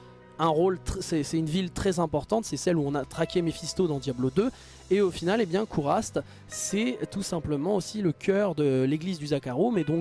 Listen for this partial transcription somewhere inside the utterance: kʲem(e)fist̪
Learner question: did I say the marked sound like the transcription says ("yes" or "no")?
yes